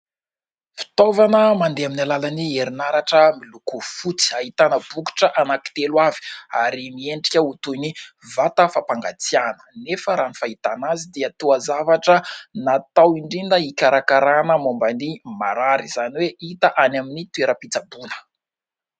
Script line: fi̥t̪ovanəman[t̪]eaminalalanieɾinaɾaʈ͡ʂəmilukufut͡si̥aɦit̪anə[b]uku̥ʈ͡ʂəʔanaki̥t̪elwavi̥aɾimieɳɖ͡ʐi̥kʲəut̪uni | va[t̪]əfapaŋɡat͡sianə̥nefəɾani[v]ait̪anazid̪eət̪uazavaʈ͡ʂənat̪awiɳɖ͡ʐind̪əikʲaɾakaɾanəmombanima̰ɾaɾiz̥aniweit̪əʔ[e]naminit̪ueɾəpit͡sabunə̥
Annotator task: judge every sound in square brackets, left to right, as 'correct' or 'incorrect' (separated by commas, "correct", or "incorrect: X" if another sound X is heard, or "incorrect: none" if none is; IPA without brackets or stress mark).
incorrect: d̪, correct, correct, incorrect: f, incorrect: a